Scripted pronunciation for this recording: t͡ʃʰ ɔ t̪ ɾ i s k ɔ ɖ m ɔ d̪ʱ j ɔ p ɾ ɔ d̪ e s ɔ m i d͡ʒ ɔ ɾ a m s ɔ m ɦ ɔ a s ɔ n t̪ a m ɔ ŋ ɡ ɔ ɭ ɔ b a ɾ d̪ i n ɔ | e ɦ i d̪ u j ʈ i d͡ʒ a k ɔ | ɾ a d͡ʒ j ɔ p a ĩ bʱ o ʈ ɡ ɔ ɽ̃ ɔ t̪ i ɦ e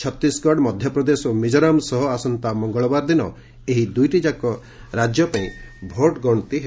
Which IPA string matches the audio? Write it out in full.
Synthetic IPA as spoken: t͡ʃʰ ɔ t̪ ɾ i s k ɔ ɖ m ɔ d̪ʱ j ɔ p ɾ ɔ d̪ e s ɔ m i d͡ʒ ɔ ɾ a m s ɔ ɦ ɔ a s ɔ n t̪ a m ɔ ŋ ɡ ɔ ɭ ɔ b a ɾ d̪ i n ɔ | e ɦ i d̪ u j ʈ i d͡ʒ a k ɔ | ɾ a d͡ʒ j ɔ p a ĩ bʱ o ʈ ɡ ɔ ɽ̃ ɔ t̪ i ɦ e

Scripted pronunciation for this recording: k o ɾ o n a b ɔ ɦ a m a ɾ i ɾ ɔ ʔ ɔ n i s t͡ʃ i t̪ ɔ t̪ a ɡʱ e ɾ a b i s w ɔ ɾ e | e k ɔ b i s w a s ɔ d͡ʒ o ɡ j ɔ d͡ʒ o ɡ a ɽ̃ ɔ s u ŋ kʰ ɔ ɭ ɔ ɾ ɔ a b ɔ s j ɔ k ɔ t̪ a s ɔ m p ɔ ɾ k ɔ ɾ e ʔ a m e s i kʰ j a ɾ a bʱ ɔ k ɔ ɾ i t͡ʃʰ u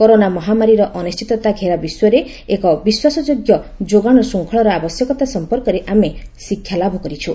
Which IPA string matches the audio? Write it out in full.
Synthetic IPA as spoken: k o ɾ o n a m ɔ ɦ a m a ɾ i ɾ ɔ ʔ ɔ n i s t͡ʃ i t̪ ɔ t̪ a ɡʱ e ɾ a b i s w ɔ ɾ e | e k ɔ b i s w a s ɔ d͡ʒ o ɡ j ɔ d͡ʒ o ɡ a ɽ̃ ɔ s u ŋ kʰ ɔ ɭ ɔ ɾ ɔ a b ɔ s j ɔ k ɔ t̪ a s ɔ m p ɔ ɾ k ɔ ɾ e ʔ a m e s i kʰ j a l a bʱ ɔ k ɔ ɾ i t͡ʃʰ u

